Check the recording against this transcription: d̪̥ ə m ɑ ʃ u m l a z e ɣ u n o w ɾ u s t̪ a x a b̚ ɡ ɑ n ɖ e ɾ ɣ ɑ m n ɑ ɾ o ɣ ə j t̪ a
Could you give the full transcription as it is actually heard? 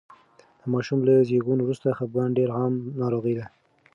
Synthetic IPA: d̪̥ ə m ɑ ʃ u m l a z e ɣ u n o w ɾ u s t̪ a x a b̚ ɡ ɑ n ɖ e ɾ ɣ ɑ m n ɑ ɾ o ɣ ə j d̪ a